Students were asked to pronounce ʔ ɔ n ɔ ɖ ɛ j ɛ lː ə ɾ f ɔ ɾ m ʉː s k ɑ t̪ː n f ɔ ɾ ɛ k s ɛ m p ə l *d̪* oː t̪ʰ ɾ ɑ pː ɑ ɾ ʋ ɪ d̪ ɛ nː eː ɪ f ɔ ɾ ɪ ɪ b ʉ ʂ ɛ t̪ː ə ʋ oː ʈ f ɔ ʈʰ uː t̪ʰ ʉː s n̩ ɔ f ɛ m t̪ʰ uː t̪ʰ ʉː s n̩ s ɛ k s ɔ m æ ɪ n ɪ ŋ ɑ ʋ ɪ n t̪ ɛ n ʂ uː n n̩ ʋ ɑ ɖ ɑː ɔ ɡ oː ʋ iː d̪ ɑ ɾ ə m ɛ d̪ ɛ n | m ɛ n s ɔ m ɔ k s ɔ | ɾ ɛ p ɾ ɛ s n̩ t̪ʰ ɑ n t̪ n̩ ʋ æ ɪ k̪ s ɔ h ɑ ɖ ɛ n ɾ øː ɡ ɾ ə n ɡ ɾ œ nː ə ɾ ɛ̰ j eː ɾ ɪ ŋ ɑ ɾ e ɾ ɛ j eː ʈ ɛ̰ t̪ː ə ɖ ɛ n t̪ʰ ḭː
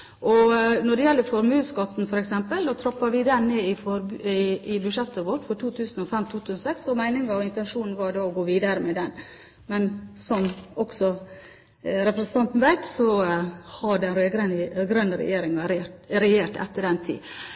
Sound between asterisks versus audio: correct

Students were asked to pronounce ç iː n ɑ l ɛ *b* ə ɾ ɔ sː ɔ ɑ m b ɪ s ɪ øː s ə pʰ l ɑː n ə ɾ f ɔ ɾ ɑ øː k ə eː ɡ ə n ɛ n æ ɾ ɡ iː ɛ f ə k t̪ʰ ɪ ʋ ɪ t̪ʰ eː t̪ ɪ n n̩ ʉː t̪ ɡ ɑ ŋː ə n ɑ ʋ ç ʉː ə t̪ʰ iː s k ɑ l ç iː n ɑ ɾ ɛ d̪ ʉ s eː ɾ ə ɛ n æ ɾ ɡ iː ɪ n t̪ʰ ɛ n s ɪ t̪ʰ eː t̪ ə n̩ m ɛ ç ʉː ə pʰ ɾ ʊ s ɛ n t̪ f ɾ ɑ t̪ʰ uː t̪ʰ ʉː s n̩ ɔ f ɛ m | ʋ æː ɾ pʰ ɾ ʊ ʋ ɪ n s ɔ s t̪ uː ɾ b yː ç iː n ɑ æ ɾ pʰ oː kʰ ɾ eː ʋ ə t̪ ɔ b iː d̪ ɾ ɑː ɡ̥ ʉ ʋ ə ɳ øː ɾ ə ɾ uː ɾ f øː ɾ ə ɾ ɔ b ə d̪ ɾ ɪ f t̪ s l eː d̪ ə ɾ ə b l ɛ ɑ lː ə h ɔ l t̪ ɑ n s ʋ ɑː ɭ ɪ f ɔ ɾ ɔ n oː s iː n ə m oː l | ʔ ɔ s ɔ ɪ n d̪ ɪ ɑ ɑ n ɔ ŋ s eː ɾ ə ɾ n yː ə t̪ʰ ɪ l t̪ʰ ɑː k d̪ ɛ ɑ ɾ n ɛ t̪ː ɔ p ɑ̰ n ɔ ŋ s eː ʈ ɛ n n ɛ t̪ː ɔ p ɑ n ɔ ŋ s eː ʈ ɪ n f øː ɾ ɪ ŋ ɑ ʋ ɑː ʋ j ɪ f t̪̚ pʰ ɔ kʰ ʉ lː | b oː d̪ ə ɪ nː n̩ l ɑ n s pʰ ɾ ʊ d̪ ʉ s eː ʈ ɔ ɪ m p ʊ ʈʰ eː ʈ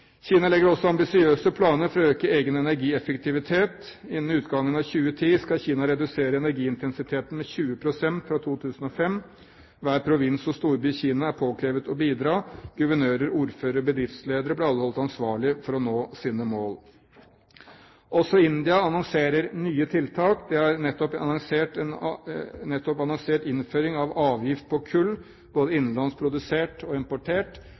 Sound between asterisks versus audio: incorrect: ɡ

